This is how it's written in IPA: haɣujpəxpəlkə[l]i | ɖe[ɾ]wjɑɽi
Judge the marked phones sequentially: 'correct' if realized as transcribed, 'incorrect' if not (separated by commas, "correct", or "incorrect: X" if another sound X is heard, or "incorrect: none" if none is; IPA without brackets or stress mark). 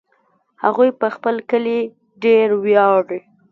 correct, correct